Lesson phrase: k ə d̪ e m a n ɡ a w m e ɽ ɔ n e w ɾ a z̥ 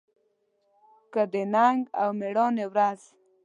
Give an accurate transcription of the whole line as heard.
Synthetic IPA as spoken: k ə d̪ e n a ŋ ɡ a w m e ɽ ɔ n e w ɾ a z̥